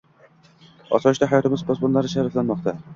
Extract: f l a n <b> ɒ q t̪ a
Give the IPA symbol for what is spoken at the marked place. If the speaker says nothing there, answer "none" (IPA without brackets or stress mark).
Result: m